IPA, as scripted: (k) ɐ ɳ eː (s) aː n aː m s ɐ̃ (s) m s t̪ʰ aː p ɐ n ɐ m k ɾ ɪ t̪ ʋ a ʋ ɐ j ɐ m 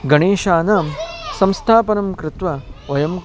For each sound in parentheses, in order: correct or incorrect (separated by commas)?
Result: incorrect, incorrect, incorrect